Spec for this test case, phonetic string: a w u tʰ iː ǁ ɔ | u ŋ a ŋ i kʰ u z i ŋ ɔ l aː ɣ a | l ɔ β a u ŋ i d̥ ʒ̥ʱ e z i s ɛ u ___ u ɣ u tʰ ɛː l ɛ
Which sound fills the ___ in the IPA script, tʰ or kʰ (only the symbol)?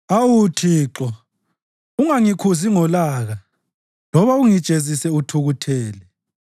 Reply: tʰ